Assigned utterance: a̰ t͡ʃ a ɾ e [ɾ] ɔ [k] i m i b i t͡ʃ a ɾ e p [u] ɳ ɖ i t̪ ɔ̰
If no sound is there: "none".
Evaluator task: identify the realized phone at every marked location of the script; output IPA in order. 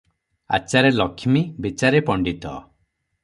l, kʰ, ɔ

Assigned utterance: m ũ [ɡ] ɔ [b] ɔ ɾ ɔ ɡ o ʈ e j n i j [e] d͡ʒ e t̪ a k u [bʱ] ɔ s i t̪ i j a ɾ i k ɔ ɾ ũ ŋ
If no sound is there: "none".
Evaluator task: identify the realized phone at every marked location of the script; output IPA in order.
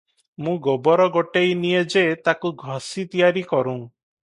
ɡ, b, e, ɡʱ

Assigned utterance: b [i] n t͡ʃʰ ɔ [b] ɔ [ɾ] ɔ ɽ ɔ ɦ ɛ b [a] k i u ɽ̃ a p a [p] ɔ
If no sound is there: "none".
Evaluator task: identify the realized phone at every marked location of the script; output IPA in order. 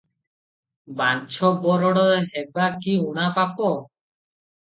a, b, ɾ, a, p

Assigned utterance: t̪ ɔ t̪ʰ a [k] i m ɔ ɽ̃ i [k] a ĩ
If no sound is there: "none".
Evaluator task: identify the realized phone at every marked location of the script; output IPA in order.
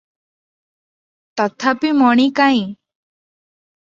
p, k

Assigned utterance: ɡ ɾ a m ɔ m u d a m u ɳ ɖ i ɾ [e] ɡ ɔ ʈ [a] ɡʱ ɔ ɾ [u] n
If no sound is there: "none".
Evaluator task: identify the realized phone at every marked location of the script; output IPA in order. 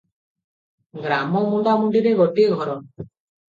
e, i, ɔ

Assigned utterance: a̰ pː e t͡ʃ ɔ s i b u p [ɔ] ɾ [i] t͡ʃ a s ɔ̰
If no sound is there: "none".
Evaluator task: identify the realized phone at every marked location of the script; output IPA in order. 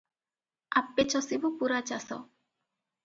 u, a

